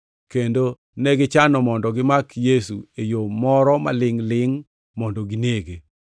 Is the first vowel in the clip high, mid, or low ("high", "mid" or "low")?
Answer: mid